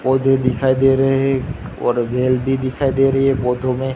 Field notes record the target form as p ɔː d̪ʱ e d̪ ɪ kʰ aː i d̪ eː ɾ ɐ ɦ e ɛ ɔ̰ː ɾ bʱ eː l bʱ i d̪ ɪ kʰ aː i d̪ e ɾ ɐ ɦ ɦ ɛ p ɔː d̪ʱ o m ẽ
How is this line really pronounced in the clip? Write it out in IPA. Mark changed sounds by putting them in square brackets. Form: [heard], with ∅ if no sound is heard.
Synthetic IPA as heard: p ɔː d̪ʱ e d̪ ɪ kʰ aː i d̪ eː ɾ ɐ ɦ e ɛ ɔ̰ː ɾ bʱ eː l bʱ i d̪ ɪ kʰ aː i d̪ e ɾ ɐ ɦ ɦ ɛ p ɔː d̪ʱ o m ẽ